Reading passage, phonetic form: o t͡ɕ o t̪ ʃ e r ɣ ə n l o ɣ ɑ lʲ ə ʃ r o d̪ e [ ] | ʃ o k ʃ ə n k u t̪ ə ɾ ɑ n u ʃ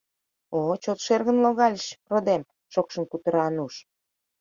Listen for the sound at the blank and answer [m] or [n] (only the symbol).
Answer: m